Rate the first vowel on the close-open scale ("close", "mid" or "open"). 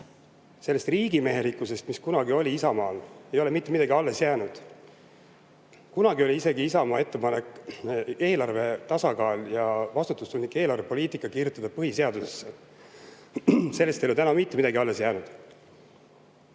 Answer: mid